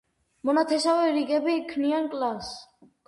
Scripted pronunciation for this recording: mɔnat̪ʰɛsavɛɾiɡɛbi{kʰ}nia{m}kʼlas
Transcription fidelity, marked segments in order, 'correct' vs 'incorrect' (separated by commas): correct, incorrect